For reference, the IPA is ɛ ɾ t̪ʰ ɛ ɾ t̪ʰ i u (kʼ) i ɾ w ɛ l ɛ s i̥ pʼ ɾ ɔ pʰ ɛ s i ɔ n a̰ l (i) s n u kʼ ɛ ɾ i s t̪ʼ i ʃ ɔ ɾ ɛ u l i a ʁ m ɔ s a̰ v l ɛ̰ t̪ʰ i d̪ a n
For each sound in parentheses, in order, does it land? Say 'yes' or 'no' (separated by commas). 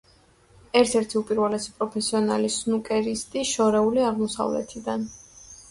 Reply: no, yes